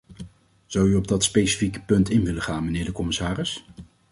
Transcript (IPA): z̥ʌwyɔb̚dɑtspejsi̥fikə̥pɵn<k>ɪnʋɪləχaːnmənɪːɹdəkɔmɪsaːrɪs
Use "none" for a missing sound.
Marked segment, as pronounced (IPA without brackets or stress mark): t